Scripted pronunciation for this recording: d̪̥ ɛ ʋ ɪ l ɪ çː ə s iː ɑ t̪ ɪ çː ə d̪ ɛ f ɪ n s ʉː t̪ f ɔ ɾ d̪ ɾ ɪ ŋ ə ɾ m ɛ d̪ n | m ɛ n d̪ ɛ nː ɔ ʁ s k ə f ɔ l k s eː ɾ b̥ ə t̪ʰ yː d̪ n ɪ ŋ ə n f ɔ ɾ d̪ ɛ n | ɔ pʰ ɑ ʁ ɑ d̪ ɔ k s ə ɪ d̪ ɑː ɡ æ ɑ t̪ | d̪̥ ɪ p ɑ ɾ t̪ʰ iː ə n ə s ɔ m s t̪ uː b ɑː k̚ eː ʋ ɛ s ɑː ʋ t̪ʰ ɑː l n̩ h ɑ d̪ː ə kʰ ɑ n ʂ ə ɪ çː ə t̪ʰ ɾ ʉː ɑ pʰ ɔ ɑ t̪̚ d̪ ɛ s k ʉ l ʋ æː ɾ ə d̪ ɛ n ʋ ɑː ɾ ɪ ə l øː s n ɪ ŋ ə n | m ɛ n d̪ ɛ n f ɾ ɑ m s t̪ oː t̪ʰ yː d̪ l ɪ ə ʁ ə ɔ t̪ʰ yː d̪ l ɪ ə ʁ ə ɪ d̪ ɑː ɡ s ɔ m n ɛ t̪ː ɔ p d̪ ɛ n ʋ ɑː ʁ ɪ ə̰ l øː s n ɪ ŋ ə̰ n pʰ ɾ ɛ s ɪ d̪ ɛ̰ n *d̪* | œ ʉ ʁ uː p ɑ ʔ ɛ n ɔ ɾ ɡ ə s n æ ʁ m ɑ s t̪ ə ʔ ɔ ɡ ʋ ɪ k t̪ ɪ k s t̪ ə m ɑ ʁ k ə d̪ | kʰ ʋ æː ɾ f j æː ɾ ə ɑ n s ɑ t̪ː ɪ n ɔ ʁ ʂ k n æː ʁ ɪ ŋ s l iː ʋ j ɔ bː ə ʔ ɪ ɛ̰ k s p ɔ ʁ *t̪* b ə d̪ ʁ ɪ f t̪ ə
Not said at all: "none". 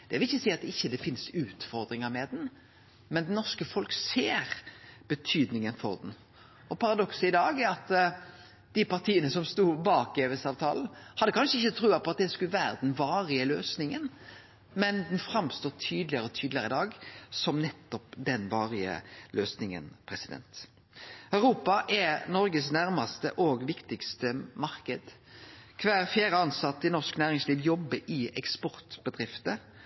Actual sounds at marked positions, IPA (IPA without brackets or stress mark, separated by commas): t̪, t̪